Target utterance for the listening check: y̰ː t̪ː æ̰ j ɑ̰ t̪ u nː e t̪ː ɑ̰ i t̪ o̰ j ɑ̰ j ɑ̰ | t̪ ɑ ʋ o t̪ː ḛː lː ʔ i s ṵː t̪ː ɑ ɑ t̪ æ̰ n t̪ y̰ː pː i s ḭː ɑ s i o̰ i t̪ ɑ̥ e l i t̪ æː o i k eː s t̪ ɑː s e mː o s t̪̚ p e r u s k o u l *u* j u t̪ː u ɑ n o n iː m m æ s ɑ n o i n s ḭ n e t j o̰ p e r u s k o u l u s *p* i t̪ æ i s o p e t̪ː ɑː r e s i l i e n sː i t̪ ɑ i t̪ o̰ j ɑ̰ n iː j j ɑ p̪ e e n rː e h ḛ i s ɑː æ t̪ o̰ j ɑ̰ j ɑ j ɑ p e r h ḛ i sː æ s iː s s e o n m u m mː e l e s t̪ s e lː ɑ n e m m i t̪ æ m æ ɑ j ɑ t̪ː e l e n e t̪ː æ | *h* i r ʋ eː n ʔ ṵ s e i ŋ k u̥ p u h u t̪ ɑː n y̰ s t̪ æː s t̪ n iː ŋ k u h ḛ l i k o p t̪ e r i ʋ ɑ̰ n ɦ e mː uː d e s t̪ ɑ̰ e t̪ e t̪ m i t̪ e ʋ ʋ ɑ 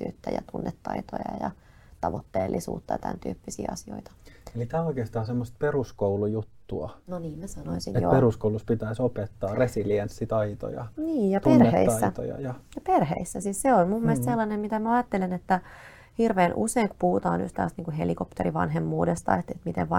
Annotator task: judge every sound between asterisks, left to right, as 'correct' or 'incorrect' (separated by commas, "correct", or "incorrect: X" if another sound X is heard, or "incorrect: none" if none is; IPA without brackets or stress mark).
correct, correct, correct